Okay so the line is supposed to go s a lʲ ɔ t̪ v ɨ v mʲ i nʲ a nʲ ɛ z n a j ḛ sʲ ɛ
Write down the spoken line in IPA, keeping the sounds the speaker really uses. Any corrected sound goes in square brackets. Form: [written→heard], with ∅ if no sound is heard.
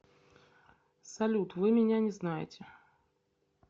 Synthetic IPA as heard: s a lʲ [ɔ→u] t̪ v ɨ [v→∅] mʲ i nʲ a nʲ ɛ z n a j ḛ [sʲ→t͡sʲ] ɛ